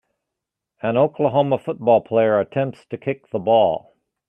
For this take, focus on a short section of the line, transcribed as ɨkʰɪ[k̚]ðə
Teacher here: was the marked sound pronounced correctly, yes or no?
yes